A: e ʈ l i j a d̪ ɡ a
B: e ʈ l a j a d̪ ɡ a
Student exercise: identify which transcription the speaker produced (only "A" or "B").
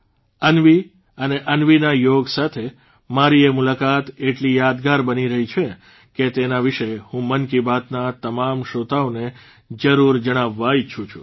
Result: A